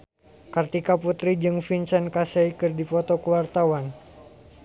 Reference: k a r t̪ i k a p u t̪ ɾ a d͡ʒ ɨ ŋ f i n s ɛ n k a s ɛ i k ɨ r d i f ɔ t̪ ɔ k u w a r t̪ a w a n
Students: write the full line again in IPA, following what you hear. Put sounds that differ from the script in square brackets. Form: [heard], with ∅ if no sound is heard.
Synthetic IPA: k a r t̪ i k a p u t̪ ɾ [i] d͡ʒ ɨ ŋ f i n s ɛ n k a s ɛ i k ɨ r d i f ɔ t̪ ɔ k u w a r t̪ a w a n